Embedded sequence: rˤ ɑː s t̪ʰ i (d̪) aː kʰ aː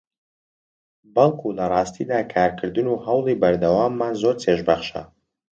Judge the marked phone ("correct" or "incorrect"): correct